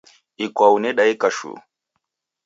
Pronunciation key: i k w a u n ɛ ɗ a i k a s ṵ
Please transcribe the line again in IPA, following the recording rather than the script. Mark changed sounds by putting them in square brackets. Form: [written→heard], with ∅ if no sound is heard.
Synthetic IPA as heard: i k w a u n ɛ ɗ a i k a [s→ʃ] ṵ

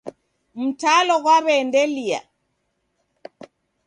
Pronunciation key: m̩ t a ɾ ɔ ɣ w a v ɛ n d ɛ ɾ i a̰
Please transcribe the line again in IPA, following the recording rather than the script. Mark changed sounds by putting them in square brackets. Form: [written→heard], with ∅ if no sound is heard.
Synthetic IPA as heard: m̩ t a [ɾ→l] ɔ ɣ w a [v→β] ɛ n d ɛ [ɾ→l] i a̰

